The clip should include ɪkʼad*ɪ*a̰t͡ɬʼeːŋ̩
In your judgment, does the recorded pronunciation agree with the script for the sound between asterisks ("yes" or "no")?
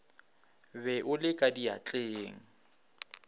no